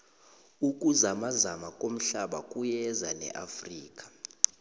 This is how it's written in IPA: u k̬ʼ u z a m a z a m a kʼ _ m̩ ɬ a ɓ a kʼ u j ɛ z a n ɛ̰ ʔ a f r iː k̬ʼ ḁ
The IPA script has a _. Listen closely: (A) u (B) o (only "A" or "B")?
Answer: B